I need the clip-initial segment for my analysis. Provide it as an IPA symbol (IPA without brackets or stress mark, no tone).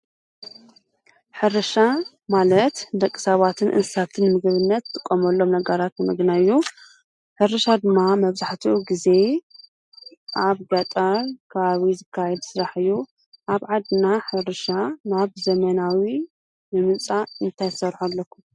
ħ